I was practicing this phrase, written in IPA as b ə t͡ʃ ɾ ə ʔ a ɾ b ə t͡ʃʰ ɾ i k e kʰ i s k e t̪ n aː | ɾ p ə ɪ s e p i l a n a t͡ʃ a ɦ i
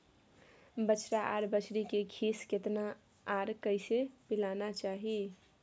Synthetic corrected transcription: b ə t͡ʃ ɾ a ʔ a ɾ b ə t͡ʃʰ ɾ i k e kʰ i s k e t̪ n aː | ɾ k ə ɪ s e p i l a n a t͡ʃ a ɦ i